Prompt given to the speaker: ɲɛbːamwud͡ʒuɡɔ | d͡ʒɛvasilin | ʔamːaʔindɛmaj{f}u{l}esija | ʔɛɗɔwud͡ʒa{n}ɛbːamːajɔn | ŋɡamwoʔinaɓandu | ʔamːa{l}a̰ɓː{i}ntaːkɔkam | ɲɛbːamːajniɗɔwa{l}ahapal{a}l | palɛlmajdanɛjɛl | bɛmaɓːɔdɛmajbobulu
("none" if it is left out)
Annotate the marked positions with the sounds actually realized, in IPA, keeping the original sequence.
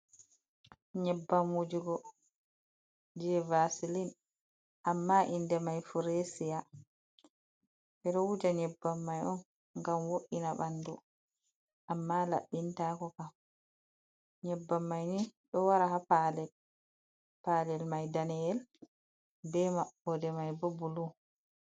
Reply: f, ɾ, ɲ, l, i, ɾ, ɛ

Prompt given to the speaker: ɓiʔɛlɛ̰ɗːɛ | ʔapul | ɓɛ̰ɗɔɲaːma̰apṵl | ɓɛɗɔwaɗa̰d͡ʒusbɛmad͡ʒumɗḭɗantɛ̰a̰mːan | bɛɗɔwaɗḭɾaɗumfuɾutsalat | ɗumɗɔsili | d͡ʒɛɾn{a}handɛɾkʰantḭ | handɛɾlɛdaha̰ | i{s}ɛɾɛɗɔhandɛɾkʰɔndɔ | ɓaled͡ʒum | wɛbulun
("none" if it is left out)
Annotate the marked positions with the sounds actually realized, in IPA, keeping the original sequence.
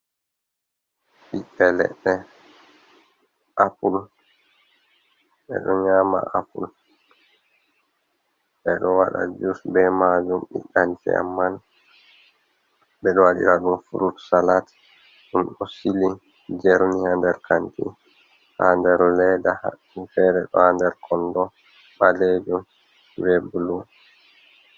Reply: i, f

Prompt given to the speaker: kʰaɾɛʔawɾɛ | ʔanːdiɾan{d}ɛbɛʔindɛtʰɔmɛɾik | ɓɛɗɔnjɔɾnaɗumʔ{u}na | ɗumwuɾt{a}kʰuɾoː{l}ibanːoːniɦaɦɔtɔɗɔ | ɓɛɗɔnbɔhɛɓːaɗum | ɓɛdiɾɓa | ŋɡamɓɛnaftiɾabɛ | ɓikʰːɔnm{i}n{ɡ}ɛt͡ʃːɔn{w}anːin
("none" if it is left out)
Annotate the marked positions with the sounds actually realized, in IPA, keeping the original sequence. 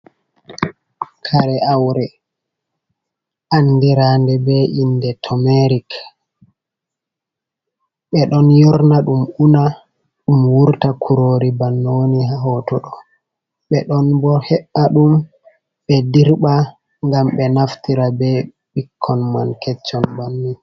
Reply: d, u, a, ɾ, a, k, b

